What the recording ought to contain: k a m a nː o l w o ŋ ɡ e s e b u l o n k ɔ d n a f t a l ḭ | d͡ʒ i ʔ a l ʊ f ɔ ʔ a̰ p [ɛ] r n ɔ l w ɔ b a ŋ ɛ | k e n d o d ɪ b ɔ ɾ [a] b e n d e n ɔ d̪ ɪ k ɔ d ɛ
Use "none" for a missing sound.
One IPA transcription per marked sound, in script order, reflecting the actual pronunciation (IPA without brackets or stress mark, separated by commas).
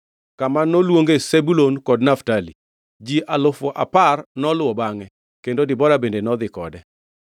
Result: a, a